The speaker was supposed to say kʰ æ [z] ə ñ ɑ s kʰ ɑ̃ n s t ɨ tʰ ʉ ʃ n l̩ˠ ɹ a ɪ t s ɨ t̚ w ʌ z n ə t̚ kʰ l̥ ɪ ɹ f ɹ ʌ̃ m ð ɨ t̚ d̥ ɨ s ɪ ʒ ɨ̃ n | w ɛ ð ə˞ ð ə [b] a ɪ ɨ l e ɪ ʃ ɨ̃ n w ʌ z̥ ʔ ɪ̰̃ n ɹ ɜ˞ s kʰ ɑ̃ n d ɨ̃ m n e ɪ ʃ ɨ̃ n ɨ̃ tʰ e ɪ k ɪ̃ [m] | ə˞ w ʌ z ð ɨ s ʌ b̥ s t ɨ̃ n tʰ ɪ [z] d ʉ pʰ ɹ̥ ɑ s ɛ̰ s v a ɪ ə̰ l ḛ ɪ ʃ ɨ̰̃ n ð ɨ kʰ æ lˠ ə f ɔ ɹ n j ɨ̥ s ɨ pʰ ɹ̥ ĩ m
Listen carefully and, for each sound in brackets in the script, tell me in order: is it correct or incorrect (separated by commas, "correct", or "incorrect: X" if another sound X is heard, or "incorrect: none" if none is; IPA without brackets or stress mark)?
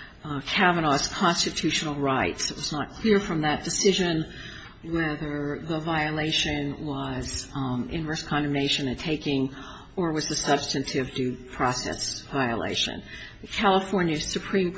incorrect: v, incorrect: v, incorrect: ŋ, incorrect: v